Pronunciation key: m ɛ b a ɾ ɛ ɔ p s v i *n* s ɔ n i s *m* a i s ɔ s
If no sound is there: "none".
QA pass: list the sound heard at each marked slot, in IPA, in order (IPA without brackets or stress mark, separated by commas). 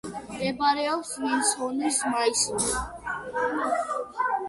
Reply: n, m